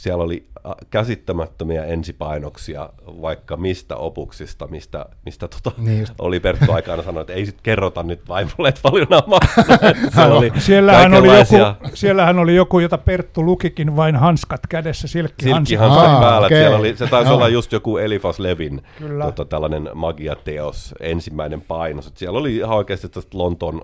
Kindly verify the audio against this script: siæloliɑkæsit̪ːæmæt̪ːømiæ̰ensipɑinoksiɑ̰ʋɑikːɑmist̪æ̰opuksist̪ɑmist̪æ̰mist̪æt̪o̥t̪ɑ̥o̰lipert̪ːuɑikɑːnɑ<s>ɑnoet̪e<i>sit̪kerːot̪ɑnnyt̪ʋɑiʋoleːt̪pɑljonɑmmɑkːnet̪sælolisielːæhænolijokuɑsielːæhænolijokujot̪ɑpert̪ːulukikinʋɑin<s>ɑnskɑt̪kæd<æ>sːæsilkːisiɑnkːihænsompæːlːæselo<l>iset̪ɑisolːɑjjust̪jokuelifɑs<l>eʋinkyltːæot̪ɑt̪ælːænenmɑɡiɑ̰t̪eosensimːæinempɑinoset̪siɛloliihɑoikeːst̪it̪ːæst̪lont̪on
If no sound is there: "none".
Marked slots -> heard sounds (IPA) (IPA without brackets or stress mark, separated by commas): s, i, h, e, l, l